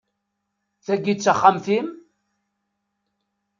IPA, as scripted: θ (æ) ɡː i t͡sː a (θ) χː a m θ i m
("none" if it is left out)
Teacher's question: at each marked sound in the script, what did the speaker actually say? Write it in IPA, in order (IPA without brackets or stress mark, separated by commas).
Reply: æ, none